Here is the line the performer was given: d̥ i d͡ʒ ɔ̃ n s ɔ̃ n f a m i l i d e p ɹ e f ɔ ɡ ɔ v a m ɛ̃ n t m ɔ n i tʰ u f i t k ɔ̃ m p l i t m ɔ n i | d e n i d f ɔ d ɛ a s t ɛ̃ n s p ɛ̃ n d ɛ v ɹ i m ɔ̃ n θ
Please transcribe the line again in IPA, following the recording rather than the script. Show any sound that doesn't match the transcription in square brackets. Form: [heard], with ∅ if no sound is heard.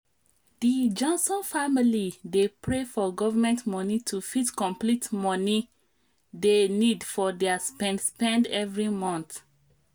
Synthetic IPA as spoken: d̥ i d͡ʒ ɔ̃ n s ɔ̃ n f a m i l i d e p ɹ e f ɔ ɡ ɔ v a m ɛ̃ n t m ɔ n i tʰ u f i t k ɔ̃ m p l i t m ɔ n i | d e n i d f ɔ d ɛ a s [p] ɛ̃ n s p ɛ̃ n d ɛ v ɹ i m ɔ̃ n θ

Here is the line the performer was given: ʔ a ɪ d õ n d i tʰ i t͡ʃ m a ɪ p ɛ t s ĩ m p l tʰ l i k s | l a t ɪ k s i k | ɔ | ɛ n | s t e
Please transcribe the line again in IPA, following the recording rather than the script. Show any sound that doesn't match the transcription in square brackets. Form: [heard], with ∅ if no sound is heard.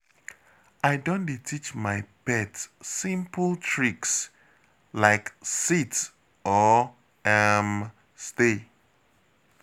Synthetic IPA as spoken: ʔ a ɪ d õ n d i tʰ i t͡ʃ m a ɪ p ɛ t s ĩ m p l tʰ [ɹ] i k s | l a [∅] ɪ k s i [t] | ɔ | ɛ [m] | s t e

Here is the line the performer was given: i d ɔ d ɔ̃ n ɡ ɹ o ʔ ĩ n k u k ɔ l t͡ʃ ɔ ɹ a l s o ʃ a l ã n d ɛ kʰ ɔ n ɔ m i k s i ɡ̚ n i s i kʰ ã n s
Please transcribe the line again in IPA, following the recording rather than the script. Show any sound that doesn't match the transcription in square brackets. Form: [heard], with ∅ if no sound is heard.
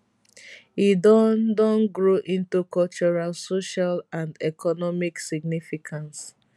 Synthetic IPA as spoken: i d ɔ d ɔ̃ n ɡ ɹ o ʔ ĩ n [t] u k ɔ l t͡ʃ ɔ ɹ a l s o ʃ a l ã n d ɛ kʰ ɔ n ɔ m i k s i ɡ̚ n i [f] i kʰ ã n s

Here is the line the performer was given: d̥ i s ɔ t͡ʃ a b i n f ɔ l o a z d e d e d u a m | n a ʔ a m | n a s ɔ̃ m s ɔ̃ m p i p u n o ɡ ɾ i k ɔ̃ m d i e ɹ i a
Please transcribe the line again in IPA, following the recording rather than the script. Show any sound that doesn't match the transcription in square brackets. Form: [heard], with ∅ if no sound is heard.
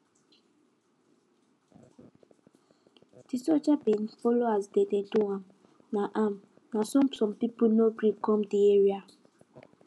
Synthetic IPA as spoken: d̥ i s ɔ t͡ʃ a b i n f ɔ l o a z d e d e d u a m | n a ʔ a m | n a s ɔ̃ m s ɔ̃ m p i p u n o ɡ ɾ i k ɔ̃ m d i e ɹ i a

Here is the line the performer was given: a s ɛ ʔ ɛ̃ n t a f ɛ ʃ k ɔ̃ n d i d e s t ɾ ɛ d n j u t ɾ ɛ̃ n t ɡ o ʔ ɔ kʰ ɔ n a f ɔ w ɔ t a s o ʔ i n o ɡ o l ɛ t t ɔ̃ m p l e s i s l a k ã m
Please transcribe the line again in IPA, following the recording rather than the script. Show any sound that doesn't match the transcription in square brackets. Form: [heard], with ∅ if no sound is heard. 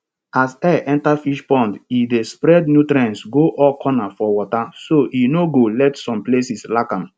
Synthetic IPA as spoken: a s ɛ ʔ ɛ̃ n t a f [i] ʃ [p] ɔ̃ n d i d e s [p] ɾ ɛ d n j u t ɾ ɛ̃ n [s] ɡ o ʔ ɔ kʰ ɔ n a f ɔ w ɔ t a s o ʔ i n o ɡ o l ɛ t [s] ɔ̃ m p l e s i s l a k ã m

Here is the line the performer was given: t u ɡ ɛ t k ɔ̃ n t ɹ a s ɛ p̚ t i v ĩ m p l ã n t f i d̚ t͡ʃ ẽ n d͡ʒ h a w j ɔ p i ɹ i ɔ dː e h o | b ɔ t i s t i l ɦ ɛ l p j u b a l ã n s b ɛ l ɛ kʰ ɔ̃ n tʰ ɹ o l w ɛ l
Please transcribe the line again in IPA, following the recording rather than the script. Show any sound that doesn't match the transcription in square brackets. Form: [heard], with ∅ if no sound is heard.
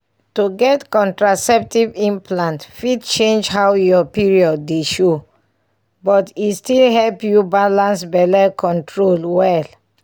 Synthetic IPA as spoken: t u ɡ ɛ t k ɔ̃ n t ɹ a s ɛ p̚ t i v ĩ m p l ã n t f i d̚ t͡ʃ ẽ n d͡ʒ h a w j ɔ p i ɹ i ɔ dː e [ʃ] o | b ɔ t i s t i l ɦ ɛ l p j u b a l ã n s b ɛ l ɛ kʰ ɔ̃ n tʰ ɹ o l w ɛ l

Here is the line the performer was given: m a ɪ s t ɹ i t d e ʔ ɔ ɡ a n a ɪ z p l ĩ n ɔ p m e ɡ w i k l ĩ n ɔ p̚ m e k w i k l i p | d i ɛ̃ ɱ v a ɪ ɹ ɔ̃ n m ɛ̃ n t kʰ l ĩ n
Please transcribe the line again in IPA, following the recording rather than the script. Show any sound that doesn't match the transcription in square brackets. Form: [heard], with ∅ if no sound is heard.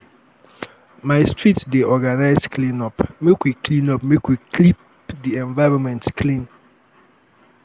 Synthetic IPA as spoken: m a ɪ s t ɹ i t d e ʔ ɔ ɡ a n a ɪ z [k] l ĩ n ɔ p m e [k] w i k l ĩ n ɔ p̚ m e k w i k l i p | d i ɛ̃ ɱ v a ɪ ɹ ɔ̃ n m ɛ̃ n t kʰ l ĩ n

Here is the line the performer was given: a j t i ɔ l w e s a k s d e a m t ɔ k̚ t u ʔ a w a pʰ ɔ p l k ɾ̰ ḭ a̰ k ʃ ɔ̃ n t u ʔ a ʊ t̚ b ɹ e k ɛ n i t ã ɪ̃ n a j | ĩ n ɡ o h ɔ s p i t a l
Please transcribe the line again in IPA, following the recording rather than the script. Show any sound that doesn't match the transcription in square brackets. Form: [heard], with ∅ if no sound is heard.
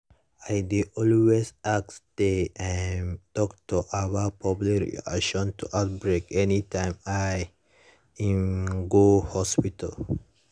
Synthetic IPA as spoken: a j [d] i ɔ l w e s a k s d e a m t ɔ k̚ t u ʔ a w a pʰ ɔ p l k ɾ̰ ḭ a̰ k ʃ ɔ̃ n t u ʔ a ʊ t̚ b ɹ e k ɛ n i t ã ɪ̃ [m] a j | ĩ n ɡ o h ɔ s p i t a l

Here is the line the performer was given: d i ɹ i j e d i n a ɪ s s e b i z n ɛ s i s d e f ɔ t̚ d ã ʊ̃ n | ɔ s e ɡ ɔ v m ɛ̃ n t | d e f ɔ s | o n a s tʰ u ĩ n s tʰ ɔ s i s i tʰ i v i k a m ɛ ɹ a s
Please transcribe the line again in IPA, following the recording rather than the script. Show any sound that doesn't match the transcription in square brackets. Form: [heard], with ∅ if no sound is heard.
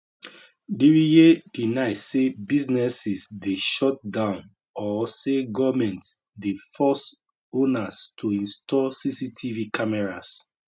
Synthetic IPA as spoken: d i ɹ i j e d i n a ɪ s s e b i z n ɛ s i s d e [ʃ] ɔ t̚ d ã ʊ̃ n | ɔ s e ɡ ɔ v m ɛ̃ n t | d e f ɔ s | o n a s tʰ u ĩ n s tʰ ɔ s i s i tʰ i v i k a m ɛ ɹ a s

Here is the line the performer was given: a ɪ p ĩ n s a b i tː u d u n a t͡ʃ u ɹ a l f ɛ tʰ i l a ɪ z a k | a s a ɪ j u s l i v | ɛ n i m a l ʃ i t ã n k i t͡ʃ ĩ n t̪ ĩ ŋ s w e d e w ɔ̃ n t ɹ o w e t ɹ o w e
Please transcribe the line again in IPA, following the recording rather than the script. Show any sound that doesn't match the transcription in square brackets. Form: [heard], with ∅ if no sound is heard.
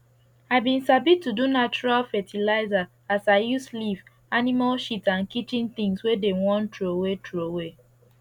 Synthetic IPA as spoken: a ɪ [b] ĩ n s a b i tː u d u n a t͡ʃ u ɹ a l f ɛ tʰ i l a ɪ z a [∅] | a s a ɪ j u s l i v | [a] n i m a l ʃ i t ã n k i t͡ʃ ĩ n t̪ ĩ ŋ s w e d e w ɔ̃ n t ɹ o w e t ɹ o w e

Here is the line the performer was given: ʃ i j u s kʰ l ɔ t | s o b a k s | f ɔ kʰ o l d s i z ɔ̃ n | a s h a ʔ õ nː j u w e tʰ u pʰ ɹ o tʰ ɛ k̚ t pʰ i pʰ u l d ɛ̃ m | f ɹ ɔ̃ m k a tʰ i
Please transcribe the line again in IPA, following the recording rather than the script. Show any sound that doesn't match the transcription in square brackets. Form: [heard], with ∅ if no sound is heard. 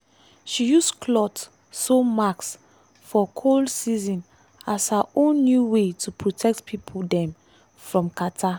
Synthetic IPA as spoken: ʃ i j u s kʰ l ɔ t | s o [m] a k s | f ɔ kʰ o l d s i z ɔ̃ n | a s h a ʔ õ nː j u w e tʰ u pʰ ɹ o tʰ ɛ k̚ t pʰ i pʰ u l d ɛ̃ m | f ɹ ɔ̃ m k a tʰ [a]

